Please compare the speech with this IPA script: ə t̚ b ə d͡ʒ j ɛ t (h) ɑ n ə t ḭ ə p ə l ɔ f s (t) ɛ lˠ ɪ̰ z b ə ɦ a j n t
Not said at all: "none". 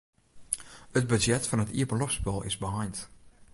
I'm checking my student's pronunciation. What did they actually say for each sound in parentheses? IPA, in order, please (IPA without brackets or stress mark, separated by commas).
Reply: f, p